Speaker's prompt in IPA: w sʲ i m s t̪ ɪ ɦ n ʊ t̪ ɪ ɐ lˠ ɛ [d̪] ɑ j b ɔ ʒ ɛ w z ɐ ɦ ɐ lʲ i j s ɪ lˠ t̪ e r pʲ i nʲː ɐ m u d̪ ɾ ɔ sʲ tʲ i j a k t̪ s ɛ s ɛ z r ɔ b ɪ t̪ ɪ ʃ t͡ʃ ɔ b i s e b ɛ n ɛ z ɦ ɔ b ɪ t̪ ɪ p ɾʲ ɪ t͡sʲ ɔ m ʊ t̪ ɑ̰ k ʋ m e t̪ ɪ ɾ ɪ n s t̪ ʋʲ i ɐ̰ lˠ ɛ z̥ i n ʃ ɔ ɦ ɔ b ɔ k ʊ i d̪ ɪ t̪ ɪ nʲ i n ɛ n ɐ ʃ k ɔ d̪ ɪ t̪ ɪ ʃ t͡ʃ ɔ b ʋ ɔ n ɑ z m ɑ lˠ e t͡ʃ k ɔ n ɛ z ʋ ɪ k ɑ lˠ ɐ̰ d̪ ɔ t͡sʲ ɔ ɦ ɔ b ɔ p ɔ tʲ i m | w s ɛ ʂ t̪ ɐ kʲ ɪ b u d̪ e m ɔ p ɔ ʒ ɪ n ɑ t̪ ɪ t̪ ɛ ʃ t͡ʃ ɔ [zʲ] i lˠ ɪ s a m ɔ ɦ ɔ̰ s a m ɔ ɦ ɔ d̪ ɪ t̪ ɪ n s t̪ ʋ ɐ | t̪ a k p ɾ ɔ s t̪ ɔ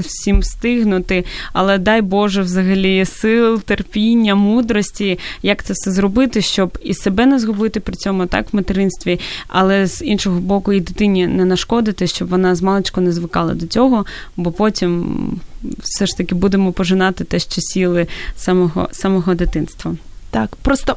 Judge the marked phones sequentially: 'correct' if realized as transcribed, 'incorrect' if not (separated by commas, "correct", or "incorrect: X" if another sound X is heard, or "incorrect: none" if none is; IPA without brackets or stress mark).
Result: correct, incorrect: sʲ